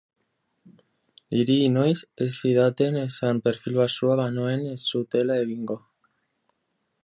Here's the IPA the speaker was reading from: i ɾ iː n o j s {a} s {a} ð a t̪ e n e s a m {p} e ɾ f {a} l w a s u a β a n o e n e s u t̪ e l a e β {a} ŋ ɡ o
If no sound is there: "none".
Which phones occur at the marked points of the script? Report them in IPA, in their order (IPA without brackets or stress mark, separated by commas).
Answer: e, i, p, i, i